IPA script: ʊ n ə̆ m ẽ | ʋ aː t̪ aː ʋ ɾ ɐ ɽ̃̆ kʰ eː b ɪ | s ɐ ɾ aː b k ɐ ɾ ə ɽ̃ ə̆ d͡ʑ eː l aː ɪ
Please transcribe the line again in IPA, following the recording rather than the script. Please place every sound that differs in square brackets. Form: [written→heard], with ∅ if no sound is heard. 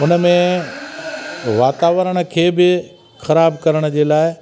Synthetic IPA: ʊ n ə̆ m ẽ | ʋ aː t̪ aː ʋ ɾ [ɐ→ə] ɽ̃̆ kʰ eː b ɪ | [s→x] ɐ ɾ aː b k ɐ ɾ ə ɽ̃ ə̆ d͡ʑ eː l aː ɪ